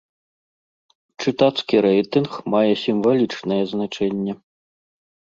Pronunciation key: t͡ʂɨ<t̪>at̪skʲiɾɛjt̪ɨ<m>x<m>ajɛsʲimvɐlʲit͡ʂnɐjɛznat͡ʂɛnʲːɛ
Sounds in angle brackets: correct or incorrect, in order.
correct, incorrect: n, correct

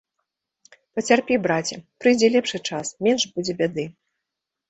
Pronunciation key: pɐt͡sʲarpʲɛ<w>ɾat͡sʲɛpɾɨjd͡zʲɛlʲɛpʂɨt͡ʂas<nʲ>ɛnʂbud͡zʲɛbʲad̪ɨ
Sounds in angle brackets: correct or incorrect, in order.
incorrect: b, incorrect: mʲ

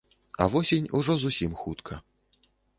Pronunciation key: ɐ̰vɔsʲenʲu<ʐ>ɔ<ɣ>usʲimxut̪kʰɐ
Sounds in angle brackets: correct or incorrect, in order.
correct, incorrect: z

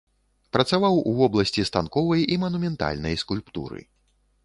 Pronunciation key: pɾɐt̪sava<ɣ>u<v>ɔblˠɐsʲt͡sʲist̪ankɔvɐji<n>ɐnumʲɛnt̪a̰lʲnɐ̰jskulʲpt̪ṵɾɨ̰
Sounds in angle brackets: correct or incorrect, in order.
incorrect: w, correct, incorrect: m

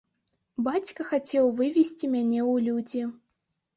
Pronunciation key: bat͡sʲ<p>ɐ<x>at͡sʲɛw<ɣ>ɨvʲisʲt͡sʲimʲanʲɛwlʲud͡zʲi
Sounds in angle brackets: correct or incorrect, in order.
incorrect: k, correct, incorrect: v

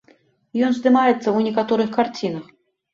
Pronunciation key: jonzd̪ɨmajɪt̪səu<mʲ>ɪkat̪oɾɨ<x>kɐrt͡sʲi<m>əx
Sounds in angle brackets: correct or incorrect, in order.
incorrect: nʲ, correct, incorrect: n

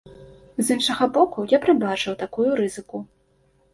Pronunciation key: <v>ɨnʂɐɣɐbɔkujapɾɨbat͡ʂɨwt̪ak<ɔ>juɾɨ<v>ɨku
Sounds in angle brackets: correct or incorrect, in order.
incorrect: z, incorrect: u, incorrect: z

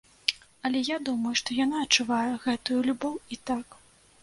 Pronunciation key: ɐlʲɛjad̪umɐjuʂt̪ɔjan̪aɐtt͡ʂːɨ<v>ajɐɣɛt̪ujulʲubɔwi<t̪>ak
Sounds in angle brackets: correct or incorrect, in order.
correct, correct

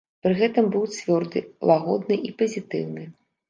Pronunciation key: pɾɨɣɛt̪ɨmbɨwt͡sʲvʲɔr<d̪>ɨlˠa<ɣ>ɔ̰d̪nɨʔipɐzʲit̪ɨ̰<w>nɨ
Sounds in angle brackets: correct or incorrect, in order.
correct, correct, correct

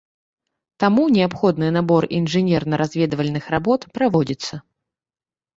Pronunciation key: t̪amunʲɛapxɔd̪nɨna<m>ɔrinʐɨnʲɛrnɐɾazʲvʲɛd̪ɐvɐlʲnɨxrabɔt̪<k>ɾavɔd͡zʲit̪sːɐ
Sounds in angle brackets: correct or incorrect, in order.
incorrect: b, incorrect: p

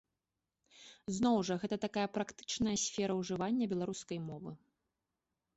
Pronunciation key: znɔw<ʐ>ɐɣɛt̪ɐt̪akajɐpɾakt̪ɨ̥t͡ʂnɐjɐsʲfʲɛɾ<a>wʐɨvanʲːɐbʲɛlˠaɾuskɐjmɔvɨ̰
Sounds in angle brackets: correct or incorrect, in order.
correct, incorrect: ɐ

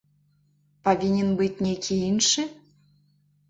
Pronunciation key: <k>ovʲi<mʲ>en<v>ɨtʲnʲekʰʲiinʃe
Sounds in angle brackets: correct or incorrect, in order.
incorrect: p, incorrect: nʲ, incorrect: b

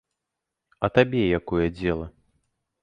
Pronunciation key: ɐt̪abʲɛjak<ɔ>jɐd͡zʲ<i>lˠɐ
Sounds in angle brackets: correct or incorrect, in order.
correct, incorrect: ɛ

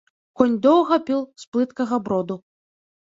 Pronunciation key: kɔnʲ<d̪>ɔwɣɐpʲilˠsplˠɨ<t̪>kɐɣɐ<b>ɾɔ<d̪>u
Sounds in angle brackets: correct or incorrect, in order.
correct, correct, correct, correct

